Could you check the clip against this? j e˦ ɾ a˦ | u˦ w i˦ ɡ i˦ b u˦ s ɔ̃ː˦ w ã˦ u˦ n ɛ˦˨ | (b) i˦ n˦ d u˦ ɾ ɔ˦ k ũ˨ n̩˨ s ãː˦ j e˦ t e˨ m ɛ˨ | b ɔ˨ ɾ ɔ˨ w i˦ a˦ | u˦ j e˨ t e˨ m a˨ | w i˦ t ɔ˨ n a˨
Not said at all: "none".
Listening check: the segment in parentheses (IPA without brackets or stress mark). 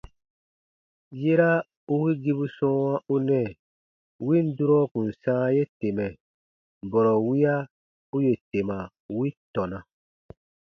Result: w